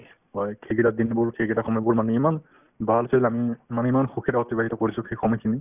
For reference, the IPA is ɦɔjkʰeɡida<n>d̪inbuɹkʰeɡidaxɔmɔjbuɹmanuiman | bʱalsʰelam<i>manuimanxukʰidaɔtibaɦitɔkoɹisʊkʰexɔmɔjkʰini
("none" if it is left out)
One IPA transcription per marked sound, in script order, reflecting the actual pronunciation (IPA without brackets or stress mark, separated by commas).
none, i